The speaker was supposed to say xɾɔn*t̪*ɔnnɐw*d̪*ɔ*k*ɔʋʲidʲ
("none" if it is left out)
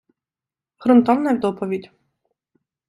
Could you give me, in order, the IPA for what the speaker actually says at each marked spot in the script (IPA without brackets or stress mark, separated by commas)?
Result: t̪, d̪, p